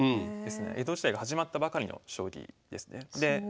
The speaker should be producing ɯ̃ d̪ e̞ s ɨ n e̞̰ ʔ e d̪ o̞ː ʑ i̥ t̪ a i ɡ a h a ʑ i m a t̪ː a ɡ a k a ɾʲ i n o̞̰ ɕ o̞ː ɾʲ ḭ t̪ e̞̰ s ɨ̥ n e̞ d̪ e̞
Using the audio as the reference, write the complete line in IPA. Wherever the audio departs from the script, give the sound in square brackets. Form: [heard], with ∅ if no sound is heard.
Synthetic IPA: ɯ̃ d̪ e̞ s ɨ n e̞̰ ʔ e d̪ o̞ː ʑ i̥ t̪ a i ɡ a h a ʑ i m a t̪ː a [b] a k a ɾʲ i n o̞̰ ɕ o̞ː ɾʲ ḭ [d̪] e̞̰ s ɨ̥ n e̞ d̪ e̞